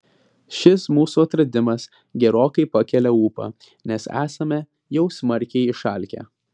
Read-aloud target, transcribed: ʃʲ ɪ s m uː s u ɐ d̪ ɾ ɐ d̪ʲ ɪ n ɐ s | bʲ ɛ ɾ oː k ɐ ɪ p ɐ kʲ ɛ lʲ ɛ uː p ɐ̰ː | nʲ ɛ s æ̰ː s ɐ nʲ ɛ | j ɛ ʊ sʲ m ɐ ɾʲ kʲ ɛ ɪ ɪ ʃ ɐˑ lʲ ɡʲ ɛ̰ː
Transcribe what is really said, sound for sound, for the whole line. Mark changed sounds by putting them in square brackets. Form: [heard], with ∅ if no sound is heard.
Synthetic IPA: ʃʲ ɪ s m uː s u ɐ [t̪] ɾ ɐ d̪ʲ ɪ [m] ɐ s | [ɡʲ] ɛ ɾ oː k ɐ ɪ p ɐ kʲ ɛ lʲ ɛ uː p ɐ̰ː | nʲ ɛ s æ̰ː s ɐ [mʲ] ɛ | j ɛ ʊ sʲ m ɐ ɾʲ kʲ ɛ ɪ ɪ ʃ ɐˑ lʲ [kʲ] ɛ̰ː